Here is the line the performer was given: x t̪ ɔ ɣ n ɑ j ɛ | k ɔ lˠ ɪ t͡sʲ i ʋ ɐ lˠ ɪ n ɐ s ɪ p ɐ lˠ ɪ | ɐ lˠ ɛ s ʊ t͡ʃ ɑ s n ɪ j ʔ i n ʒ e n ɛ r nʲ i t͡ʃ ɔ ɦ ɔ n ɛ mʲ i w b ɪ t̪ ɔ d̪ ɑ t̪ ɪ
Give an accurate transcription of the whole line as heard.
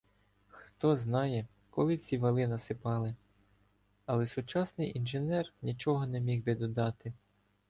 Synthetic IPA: x t̪ ɔ z n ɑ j ɛ | k ɔ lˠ ɪ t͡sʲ i ʋ ɐ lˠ ɪ n ɐ s ɪ p ɑ lˠ ɪ | ɐ lˠ ɛ s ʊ t͡ʃ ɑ s n ɪ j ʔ i n ʒ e n ɛ r nʲ i t͡ʃ ɔ ɦ ɔ n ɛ mʲ i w b ɪ d̪ ɔ d̪ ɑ t̪ ɪ